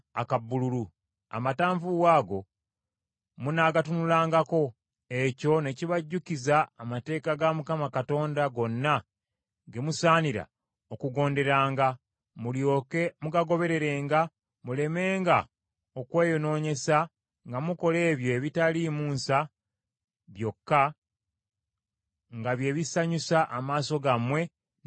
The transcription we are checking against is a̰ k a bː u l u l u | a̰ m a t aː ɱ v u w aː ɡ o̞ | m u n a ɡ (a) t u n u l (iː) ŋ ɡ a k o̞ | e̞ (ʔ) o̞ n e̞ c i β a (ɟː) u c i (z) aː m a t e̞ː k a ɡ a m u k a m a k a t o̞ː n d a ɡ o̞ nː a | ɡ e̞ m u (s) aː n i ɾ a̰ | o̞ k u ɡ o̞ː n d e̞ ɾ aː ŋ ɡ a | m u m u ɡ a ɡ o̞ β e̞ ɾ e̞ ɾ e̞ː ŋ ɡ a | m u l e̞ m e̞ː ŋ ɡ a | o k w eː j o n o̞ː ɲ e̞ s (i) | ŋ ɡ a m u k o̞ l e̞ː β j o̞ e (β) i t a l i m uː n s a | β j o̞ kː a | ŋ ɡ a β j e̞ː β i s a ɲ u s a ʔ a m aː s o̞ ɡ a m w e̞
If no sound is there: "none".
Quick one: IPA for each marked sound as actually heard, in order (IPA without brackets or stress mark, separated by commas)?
a, aː, c, ɟː, z, s, a, β